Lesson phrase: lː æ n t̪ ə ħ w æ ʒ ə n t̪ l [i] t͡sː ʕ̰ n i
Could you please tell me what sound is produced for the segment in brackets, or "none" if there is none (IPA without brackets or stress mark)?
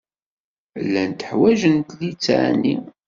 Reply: i